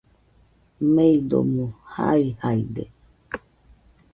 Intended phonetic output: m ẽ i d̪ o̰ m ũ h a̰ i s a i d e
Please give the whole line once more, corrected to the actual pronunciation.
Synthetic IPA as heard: m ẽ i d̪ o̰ m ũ h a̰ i h a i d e